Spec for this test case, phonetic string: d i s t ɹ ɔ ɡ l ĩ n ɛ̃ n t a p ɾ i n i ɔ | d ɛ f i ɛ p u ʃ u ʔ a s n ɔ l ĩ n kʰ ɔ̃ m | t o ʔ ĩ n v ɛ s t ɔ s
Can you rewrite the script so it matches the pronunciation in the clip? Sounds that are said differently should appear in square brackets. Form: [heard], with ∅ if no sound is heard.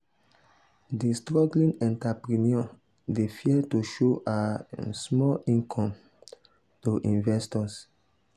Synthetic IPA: d i s t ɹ ɔ ɡ l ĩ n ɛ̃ n t a p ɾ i n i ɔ | d [e] f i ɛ [t] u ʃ [o] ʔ a s [m] ɔ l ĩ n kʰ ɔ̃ m | t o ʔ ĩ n v ɛ s t ɔ s